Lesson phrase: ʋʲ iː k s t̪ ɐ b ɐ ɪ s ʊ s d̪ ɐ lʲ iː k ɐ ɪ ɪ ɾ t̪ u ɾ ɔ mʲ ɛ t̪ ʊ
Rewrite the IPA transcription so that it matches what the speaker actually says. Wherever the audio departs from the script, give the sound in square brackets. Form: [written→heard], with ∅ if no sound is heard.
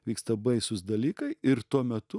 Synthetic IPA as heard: ʋʲ iː k s t̪ ɐ b ɐ ɪ s ʊ s d̪ ɐ lʲ iː k ɐ ɪ ɪ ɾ t̪ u [ɾ→∅] ɔ mʲ ɛ t̪ ʊ